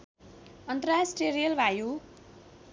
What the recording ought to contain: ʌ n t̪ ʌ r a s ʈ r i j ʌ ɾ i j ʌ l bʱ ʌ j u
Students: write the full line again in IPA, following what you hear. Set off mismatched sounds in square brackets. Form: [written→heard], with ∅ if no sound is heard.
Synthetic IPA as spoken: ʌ n t̪ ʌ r a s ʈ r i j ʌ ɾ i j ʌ l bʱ [ʌ→a] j u